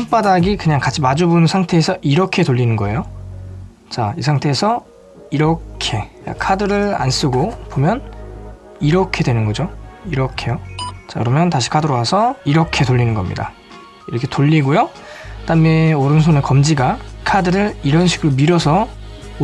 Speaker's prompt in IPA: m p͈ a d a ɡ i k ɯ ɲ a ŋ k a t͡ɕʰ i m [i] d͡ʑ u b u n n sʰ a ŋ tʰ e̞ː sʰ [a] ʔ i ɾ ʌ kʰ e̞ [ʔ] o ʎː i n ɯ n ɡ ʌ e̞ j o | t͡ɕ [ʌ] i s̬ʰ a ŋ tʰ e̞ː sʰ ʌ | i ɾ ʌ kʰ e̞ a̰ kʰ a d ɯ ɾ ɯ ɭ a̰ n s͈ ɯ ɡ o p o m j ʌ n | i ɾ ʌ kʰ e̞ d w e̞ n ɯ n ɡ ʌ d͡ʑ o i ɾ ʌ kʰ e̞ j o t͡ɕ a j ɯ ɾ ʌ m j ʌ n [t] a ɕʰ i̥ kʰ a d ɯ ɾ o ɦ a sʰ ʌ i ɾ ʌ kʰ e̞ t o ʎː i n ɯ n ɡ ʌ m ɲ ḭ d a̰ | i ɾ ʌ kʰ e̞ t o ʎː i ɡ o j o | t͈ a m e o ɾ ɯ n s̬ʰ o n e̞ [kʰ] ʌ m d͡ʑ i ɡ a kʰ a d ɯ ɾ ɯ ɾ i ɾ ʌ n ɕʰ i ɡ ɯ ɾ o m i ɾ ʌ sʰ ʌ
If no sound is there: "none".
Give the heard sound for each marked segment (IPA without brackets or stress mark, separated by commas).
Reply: a, ʌ, t, a, t, k